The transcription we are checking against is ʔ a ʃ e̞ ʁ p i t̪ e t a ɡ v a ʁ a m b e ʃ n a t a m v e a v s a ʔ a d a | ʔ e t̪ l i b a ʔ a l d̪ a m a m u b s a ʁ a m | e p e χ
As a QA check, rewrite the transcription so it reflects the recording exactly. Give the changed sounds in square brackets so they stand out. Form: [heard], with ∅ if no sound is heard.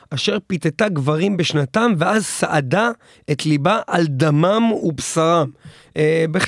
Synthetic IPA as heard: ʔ a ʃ e̞ ʁ p i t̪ e t a ɡ v a ʁ [i] m b e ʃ n a t a m v e a [z] s a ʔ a d a | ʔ e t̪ l i b a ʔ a l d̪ a m a m u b s a ʁ a m | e [b] e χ